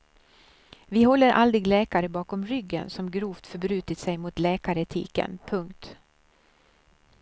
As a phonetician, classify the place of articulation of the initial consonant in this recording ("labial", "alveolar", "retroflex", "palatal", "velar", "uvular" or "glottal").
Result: labial